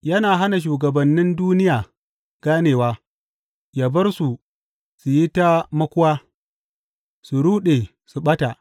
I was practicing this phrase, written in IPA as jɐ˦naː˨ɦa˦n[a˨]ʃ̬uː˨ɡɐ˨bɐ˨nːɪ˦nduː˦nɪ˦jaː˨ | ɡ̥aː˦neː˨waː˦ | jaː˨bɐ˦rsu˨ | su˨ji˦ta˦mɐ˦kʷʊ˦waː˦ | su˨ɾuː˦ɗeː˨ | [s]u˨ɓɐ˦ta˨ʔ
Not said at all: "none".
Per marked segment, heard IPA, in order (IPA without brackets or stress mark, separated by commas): a˨, s